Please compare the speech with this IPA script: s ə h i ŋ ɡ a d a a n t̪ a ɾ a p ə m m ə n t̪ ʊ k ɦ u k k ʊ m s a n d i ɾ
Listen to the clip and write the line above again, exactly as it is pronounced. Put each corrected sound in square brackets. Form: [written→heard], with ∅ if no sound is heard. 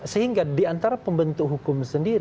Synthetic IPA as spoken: s ə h i ŋ ɡ a d [a→i] a n t̪ a ɾ a p ə m [m→b] ə n t̪ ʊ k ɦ u k k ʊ m s [a→ə] n d i ɾ